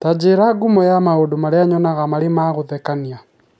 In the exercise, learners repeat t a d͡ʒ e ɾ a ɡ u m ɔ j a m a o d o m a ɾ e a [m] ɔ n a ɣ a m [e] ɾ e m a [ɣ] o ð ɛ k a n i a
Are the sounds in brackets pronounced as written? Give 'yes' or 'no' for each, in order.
no, no, yes

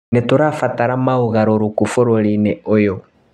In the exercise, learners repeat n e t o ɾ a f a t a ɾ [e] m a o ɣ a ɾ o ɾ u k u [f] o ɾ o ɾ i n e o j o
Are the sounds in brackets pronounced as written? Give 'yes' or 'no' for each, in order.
no, yes

